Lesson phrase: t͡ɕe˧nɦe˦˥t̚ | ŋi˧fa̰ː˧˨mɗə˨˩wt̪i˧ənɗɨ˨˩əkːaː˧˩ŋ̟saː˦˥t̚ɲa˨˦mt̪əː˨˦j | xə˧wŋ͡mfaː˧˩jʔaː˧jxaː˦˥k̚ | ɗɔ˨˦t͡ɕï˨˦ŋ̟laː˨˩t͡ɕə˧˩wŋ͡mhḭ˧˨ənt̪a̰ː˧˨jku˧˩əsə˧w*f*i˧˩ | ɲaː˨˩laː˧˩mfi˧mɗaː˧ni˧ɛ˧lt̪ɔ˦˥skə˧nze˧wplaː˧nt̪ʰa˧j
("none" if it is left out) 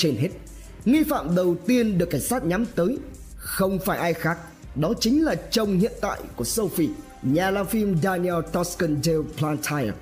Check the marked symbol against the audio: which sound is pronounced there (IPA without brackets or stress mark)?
f